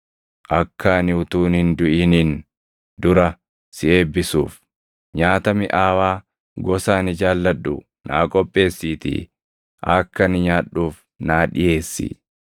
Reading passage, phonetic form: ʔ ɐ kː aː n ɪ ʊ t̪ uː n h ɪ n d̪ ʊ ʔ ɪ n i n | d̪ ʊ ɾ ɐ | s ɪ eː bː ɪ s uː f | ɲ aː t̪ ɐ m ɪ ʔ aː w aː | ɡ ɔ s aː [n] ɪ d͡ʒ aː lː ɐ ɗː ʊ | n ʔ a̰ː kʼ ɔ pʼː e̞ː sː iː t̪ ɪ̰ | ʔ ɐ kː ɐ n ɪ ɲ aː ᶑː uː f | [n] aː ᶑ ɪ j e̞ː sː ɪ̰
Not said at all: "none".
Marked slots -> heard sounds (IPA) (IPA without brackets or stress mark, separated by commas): n, n